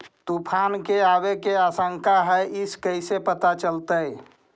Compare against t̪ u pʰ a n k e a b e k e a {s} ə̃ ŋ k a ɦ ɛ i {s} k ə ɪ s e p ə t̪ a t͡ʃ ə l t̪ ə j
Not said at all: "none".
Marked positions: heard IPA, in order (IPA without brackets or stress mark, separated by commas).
s, s